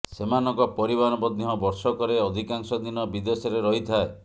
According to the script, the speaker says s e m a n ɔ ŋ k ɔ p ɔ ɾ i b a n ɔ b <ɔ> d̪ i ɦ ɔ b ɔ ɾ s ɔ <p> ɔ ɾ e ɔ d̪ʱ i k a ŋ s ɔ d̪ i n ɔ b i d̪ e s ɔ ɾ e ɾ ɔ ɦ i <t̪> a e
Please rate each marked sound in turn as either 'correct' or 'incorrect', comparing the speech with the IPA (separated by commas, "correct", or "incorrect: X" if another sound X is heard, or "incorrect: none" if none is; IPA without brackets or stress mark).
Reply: correct, incorrect: k, incorrect: t̪ʰ